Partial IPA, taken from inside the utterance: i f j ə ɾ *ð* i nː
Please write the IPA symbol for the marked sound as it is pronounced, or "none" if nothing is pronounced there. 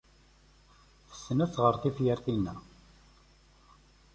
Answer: θ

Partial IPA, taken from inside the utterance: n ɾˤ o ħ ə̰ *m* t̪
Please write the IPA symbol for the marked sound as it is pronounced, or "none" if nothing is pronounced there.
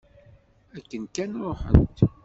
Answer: n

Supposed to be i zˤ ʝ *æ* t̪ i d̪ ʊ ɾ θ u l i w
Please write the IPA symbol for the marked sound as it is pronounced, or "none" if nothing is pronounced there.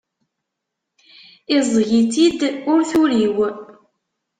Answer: i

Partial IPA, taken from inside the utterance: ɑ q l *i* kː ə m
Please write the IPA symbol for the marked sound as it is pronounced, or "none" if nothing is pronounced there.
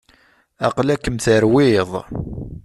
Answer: æ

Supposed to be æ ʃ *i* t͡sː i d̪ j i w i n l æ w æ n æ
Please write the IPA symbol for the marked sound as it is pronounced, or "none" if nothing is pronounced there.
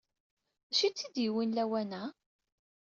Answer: i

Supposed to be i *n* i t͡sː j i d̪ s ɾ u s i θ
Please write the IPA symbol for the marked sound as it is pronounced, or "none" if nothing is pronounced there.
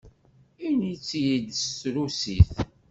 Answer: n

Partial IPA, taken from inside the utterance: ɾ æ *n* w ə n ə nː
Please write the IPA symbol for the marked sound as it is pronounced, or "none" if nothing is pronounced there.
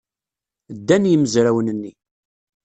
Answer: none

